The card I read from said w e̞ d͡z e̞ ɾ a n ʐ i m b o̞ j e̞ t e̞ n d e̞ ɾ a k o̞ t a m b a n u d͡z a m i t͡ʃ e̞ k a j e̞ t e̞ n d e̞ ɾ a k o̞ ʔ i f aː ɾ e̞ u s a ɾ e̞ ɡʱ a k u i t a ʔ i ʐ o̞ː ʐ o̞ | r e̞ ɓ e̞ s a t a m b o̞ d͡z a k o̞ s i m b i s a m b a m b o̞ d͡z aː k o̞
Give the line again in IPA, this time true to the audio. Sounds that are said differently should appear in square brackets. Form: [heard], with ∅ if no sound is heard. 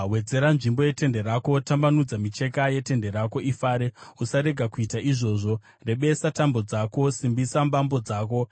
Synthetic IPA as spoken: w e̞ d͡z e̞ ɾ a n ʐ i m b o̞ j e̞ t e̞ n d e̞ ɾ a k o̞ t a m b a n u d͡z a m i t͡ʃ e̞ k a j e̞ t e̞ n d e̞ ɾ a k o̞ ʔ i f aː ɾ e̞ u s a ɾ e̞ ɡʱ a k u i t a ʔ i ʐ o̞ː ʐ o̞ | r e̞ ɓ e̞ s a t a m b o̞ d͡z a k o̞ s i m b i s a m b a m b o̞ d͡z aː k o̞